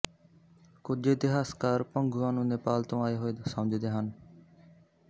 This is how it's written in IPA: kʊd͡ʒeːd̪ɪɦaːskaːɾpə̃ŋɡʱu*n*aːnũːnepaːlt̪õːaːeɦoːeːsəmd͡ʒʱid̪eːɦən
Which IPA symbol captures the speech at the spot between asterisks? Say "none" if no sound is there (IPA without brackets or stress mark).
none